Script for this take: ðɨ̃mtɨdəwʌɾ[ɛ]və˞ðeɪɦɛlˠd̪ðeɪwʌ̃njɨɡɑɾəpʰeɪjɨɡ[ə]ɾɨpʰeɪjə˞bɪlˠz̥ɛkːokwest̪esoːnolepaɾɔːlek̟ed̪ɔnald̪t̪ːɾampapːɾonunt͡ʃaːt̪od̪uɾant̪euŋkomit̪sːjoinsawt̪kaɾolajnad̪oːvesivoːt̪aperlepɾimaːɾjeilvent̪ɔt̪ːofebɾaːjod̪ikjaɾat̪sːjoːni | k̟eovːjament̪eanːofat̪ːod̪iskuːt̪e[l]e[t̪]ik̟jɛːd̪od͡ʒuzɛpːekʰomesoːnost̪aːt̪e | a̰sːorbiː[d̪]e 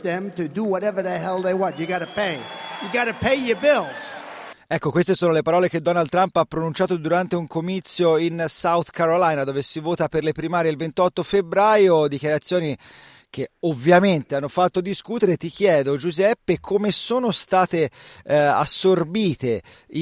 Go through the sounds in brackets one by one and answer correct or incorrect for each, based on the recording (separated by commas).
correct, incorrect, incorrect, correct, incorrect